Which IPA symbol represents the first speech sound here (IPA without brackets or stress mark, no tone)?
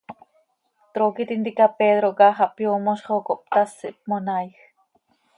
t̪